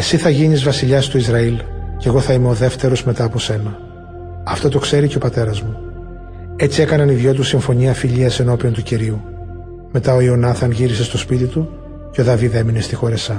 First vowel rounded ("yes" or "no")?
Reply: no